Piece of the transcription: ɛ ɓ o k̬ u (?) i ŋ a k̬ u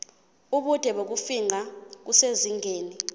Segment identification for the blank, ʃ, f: f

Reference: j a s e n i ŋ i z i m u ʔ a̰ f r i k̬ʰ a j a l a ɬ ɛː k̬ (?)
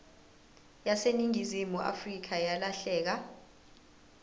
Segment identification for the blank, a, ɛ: a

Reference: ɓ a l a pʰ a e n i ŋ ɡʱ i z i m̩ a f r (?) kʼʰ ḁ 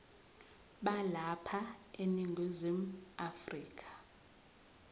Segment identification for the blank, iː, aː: iː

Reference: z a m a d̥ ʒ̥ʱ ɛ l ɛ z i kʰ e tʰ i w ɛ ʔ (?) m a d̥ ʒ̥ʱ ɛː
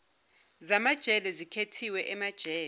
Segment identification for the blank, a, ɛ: ɛ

